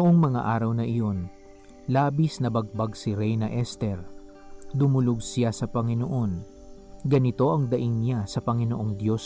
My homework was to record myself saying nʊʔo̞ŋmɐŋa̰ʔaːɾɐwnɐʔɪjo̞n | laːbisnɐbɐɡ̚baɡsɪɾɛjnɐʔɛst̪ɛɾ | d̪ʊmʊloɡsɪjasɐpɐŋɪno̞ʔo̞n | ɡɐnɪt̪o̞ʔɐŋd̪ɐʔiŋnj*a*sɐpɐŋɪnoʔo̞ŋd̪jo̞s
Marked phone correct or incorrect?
correct